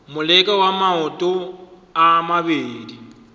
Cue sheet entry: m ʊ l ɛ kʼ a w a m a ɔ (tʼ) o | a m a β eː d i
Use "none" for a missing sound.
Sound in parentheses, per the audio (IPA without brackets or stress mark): tʼ